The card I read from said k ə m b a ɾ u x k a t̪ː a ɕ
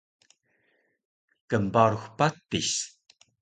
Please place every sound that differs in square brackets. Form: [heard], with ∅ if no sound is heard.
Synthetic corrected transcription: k ə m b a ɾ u x [p] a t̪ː [i] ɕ